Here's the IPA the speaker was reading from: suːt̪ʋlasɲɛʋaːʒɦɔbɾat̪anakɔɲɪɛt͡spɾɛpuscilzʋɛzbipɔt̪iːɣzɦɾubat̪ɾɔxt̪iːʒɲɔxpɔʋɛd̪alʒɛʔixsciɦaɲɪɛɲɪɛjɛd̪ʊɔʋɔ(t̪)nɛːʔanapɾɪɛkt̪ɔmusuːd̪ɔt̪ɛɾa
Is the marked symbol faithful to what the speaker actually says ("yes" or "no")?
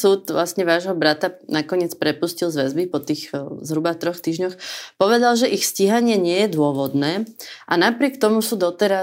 no